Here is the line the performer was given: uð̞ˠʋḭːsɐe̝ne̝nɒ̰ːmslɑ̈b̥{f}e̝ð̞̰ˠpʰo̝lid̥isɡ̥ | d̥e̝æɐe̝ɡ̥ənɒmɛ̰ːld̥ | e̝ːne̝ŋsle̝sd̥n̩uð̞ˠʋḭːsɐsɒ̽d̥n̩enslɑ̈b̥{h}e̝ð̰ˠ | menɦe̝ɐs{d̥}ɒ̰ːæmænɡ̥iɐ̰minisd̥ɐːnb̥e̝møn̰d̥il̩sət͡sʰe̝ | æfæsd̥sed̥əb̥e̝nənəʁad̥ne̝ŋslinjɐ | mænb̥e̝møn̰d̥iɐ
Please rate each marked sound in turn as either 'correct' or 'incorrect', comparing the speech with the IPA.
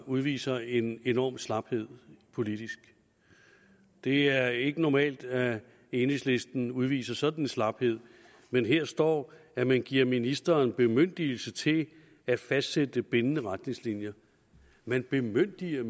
incorrect: h, correct, correct

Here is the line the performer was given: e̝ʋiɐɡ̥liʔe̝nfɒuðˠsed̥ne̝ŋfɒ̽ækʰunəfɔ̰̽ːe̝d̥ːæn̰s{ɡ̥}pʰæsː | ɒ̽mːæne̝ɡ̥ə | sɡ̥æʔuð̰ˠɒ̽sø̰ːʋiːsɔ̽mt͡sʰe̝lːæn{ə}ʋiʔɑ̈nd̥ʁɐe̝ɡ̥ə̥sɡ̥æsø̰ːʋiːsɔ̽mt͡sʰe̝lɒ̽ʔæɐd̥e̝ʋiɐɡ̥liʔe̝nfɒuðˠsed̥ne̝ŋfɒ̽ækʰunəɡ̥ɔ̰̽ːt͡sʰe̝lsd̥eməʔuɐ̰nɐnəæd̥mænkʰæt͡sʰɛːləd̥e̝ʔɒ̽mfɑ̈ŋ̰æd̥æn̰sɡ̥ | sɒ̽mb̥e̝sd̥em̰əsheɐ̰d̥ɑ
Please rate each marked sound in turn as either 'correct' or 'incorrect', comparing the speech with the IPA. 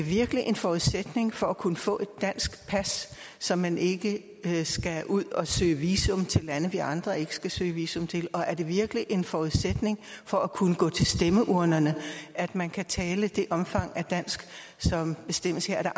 correct, correct

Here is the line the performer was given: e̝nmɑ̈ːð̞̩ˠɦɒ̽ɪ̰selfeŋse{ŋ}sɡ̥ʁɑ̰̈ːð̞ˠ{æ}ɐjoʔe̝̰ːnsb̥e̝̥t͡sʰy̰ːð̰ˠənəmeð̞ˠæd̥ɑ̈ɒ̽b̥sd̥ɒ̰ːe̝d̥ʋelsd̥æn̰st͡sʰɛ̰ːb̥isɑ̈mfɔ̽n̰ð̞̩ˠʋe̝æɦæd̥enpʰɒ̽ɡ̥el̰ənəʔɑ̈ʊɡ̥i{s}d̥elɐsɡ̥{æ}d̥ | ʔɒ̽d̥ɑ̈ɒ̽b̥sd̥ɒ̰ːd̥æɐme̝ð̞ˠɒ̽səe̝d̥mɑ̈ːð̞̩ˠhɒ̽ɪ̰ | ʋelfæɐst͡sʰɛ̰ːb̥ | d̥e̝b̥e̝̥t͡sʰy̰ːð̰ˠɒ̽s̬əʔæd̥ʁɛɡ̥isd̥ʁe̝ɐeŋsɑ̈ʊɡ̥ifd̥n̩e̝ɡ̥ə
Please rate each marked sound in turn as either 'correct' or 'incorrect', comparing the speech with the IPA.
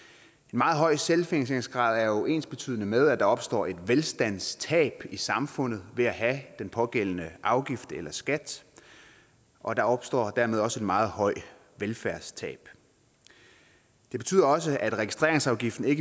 correct, correct, incorrect: f, correct

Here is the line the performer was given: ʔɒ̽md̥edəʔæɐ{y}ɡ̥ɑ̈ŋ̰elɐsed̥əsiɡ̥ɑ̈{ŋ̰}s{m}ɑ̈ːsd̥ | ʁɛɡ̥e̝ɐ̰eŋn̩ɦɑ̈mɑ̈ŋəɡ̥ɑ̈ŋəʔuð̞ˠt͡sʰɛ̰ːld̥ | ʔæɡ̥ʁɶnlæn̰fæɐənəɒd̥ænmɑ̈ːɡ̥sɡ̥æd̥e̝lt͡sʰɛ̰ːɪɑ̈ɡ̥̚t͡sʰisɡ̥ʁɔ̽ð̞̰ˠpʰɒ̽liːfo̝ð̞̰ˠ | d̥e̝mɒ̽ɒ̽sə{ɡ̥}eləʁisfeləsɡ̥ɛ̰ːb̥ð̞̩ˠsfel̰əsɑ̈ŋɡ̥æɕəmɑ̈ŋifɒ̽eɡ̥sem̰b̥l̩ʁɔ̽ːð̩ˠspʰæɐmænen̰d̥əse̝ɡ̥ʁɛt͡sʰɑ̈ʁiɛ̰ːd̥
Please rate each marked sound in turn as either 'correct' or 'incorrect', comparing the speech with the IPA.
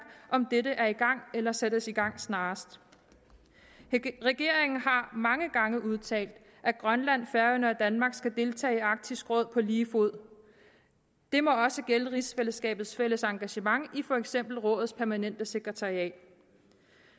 incorrect: i, correct, incorrect: n, correct

